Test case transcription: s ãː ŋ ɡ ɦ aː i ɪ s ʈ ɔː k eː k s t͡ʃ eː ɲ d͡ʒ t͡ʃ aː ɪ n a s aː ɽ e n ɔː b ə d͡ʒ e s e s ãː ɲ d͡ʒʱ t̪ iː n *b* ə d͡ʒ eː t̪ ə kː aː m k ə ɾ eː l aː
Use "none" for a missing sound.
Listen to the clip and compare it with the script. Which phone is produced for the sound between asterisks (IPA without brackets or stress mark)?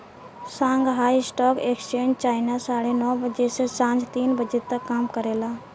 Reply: b